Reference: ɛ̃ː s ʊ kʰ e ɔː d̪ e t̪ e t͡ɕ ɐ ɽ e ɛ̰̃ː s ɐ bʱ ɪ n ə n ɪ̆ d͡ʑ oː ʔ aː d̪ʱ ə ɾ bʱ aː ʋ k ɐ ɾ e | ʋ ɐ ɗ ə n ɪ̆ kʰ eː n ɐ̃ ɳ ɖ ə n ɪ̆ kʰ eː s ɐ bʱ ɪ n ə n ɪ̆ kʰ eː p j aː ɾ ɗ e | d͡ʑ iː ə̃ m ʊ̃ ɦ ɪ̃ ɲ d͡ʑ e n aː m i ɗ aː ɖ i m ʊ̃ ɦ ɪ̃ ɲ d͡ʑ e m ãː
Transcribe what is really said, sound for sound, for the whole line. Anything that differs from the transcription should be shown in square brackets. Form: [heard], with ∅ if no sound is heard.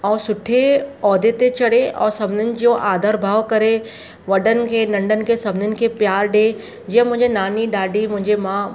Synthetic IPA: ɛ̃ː s ʊ [ʈʰ] e ɔː d̪ e t̪ e t͡ɕ ɐ ɽ e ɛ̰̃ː s ɐ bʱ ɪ n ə n ɪ̆ d͡ʑ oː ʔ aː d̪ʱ ə ɾ bʱ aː ʋ k ɐ ɾ e | ʋ ɐ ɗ ə n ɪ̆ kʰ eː n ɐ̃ ɳ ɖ ə n ɪ̆ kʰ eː s ɐ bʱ ɪ n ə n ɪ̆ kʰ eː p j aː ɾ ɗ e | d͡ʑ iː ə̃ m ʊ̃ ɦ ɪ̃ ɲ d͡ʑ e n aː [n] i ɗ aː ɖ i m ʊ̃ ɦ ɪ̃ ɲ d͡ʑ e m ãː